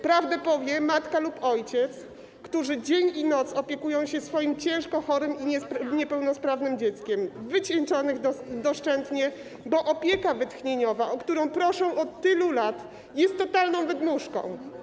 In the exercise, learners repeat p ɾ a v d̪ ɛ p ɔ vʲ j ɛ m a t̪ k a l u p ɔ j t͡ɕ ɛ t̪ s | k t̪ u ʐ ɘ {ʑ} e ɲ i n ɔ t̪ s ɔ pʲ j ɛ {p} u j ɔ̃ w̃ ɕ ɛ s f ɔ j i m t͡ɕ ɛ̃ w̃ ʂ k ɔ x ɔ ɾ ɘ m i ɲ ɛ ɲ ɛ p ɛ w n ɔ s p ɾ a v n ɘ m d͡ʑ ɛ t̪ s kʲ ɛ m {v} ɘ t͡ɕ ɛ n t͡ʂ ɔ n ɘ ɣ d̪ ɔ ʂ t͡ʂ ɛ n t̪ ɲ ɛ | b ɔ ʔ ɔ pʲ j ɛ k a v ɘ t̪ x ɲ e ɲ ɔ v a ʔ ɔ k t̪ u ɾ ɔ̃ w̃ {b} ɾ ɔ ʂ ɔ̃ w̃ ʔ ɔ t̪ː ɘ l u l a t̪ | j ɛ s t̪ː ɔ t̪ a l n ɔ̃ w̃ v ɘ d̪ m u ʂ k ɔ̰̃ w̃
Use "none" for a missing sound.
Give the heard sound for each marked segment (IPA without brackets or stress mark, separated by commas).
d͡ʑ, k, v, p